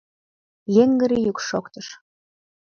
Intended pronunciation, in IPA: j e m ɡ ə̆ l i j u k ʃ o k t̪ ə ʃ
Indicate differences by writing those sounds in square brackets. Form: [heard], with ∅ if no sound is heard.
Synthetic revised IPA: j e [ŋ] ɡ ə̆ [ɾ] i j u k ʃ o k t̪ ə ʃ